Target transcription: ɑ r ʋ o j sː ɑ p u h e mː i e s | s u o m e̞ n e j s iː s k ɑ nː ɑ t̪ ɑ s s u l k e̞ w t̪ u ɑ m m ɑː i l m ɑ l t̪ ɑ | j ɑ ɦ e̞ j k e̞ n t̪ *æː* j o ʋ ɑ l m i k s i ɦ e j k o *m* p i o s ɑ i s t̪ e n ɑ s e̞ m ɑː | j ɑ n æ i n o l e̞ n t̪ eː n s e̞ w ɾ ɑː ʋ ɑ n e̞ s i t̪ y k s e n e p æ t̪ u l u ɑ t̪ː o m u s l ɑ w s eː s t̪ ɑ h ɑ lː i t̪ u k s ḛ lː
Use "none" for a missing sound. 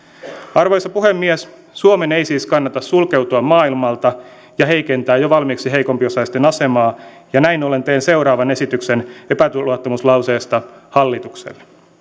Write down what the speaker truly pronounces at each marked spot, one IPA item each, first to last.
æː, m

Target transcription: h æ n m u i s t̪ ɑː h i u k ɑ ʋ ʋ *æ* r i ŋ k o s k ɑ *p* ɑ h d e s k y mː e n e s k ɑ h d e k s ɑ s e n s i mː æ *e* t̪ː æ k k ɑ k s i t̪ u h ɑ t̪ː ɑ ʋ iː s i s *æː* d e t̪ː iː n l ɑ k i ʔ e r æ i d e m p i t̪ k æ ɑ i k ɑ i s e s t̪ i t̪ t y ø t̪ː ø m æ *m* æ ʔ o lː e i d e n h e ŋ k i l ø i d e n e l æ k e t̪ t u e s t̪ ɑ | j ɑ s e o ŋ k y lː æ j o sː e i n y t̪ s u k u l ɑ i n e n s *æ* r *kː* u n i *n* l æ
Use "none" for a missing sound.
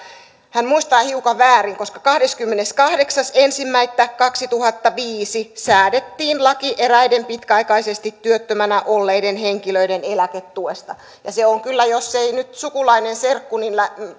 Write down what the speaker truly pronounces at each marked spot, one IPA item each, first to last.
æː, k, i, æː, n, e, kː, n

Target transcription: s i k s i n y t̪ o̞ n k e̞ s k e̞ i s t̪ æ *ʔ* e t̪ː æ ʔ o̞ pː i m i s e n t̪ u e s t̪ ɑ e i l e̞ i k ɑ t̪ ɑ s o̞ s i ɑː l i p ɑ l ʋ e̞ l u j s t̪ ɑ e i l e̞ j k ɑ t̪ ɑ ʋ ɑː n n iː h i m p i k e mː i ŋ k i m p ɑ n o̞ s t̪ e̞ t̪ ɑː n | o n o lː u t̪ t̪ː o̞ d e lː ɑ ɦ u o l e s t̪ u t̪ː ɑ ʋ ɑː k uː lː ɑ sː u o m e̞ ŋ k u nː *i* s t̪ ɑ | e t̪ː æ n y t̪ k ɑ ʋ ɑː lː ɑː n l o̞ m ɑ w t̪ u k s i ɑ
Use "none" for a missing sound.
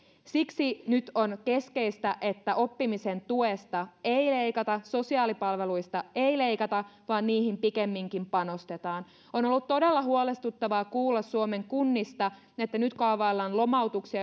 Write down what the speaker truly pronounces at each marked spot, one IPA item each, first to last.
ʔ, i

